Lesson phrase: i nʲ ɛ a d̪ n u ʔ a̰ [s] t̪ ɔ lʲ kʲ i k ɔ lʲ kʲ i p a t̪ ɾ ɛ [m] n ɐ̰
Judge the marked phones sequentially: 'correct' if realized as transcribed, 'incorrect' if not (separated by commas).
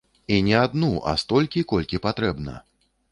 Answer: correct, incorrect